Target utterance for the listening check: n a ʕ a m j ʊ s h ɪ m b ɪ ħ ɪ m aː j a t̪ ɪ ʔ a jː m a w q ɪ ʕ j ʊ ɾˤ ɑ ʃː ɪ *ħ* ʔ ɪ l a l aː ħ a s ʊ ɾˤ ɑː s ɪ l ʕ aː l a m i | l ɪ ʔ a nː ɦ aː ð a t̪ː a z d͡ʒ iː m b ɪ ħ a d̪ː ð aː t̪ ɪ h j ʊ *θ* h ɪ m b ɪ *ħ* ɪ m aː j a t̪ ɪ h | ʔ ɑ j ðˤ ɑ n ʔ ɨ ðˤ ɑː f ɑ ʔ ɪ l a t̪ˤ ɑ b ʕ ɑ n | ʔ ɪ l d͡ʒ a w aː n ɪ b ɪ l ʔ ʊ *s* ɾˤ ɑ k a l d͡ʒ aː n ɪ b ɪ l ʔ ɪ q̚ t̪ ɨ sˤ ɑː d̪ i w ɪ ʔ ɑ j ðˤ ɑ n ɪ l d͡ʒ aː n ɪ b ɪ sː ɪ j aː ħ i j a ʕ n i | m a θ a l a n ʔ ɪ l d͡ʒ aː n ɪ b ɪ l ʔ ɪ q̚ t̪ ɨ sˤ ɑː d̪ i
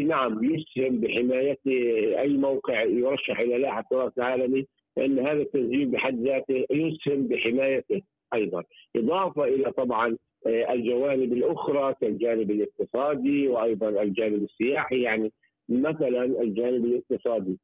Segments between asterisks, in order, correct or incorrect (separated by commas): correct, incorrect, correct, incorrect